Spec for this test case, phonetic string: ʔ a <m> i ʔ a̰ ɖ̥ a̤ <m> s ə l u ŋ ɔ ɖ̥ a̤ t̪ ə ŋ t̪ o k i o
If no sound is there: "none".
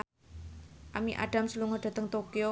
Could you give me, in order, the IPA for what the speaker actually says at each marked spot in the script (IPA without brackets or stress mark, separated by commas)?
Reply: m, m